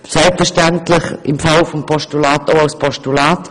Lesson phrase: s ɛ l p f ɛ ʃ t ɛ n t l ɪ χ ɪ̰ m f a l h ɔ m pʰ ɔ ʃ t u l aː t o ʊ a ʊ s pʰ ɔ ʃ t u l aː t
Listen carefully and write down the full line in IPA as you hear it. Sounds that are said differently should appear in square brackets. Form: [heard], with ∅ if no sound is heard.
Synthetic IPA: s ɛ l p f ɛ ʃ t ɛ n t l ɪ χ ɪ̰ m f a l [f] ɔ m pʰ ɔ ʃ t u l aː t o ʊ a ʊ s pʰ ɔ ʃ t u l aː t